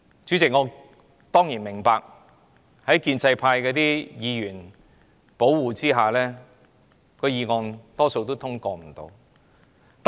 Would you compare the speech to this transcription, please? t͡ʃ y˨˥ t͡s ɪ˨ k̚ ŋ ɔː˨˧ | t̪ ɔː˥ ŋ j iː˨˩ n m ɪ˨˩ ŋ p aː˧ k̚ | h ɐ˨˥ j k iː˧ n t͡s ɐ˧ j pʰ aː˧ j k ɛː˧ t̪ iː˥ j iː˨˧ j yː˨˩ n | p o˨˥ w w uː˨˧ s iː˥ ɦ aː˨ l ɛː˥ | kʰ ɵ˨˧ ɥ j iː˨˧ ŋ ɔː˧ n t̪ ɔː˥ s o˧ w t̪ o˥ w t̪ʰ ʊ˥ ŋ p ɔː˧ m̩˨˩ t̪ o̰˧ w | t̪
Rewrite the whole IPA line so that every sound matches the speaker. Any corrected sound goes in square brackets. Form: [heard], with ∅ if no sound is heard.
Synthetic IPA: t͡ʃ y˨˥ t͡s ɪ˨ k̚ ŋ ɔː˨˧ | t̪ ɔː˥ ŋ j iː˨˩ n m ɪ˨˩ ŋ p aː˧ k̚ | h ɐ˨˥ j k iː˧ n t͡s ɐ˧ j pʰ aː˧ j k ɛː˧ t̪ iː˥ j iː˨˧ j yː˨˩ n | p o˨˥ w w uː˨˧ [t͡s] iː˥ ɦ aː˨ l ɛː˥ | kʰ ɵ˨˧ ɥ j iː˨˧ ŋ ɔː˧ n t̪ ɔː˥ s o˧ w t̪ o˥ w t̪ʰ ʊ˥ ŋ [k] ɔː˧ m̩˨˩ t̪ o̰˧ w | t̪

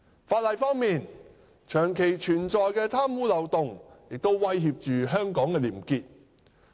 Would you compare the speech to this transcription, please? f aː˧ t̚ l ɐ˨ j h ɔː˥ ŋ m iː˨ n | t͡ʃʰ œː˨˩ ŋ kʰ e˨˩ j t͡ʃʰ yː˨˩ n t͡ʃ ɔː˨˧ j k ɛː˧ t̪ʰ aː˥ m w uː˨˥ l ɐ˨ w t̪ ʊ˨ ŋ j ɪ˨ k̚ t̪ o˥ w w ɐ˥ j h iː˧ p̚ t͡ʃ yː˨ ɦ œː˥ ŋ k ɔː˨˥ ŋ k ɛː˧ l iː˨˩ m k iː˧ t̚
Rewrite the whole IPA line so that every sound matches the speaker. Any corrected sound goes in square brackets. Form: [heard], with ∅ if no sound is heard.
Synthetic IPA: f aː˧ t̚ l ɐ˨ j [f] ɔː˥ ŋ m iː˨ n | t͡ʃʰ œː˨˩ ŋ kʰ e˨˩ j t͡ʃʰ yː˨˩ n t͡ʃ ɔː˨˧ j k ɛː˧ t̪ʰ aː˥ m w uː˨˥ l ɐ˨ w t̪ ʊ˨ ŋ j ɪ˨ k̚ t̪ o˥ w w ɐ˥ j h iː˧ p̚ t͡ʃ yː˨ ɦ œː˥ ŋ k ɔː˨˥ ŋ k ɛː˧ l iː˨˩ m k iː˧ t̚

